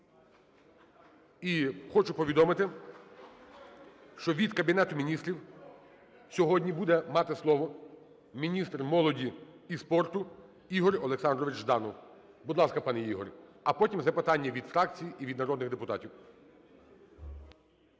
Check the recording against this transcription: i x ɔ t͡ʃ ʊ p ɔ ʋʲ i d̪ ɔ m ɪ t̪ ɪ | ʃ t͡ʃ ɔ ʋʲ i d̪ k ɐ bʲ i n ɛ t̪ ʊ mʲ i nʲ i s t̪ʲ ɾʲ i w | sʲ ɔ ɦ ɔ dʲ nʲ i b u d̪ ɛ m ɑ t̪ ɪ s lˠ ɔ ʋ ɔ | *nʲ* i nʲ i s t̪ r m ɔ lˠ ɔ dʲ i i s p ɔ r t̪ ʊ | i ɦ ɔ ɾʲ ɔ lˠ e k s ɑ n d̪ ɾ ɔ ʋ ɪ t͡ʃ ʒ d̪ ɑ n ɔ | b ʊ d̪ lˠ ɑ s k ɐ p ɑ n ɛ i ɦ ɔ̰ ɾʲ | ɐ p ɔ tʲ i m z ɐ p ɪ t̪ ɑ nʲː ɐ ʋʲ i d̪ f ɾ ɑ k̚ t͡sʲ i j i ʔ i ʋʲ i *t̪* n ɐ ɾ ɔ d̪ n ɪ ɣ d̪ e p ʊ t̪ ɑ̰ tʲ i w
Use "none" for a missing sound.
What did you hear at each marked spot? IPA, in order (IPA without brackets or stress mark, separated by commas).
mʲ, d̪